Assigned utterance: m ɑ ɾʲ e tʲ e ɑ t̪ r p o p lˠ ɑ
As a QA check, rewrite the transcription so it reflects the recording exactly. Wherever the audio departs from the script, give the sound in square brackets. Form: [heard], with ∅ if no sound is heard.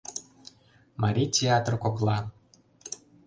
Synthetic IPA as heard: m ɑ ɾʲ [i] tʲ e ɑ t̪ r [k] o [k] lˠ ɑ